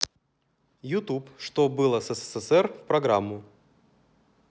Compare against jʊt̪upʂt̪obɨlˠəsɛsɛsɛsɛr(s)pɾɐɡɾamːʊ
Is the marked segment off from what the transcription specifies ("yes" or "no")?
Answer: yes